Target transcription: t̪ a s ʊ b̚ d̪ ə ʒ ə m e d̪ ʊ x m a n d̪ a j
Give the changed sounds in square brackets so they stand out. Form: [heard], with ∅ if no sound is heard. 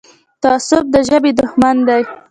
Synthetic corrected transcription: t̪ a s ʊ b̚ d̪ ə ʒ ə [b] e d̪ ʊ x m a n d̪ a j